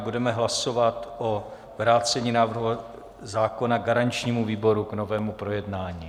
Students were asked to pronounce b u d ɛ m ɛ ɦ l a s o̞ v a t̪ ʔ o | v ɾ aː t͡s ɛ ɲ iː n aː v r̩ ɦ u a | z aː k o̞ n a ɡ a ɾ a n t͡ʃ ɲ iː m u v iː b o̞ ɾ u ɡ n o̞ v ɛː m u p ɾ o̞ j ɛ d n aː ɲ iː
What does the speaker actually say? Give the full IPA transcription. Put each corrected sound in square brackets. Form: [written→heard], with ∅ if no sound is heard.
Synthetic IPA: b u d ɛ m ɛ ɦ l a s o̞ v a t̪ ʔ o | v ɾ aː t͡s ɛ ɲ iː n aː v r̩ ɦ u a | z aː k o̞ n a ɡ a ɾ a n t͡ʃ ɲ iː m u v iː b o̞ ɾ u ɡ n o̞ v ɛː m u p ɾ o̞ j ɛ d n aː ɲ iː